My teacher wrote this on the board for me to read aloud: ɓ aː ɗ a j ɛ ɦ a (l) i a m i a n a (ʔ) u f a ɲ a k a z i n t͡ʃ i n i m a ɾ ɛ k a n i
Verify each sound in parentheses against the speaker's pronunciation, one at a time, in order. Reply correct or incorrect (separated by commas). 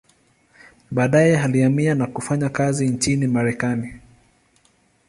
correct, incorrect